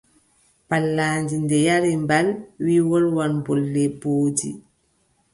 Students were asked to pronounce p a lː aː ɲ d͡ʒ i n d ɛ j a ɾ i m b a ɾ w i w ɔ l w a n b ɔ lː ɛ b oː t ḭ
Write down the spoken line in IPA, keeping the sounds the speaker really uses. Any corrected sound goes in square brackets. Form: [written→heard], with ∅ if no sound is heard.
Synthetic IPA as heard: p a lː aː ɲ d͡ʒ i n d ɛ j a ɾ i m b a [ɾ→l] w i w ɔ l w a n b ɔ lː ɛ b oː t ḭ